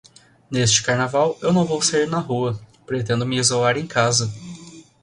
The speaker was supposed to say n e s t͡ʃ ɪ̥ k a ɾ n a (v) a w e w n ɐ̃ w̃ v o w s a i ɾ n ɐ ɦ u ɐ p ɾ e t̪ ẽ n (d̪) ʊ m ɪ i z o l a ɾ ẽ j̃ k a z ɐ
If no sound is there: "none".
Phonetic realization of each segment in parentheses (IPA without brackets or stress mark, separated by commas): v, d̪